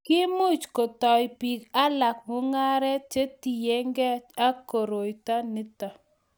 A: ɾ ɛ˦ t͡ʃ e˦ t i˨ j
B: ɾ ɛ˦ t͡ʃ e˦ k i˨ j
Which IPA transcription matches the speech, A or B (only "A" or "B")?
A